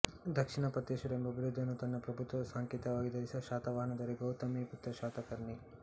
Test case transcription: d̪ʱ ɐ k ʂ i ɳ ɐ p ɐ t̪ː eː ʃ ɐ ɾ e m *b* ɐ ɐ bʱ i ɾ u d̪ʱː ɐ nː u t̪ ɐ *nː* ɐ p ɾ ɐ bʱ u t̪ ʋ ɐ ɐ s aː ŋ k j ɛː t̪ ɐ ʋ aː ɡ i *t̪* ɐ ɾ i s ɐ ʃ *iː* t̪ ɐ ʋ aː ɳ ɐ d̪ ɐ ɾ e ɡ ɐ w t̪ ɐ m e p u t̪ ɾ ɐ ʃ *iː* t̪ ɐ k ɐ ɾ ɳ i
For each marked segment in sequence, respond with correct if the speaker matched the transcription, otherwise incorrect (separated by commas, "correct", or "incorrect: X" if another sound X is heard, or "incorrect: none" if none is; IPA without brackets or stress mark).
correct, correct, incorrect: d̪, incorrect: aː, incorrect: aː